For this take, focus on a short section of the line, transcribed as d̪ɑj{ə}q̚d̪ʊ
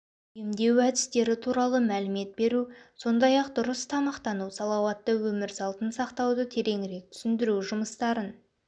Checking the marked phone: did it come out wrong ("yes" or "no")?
yes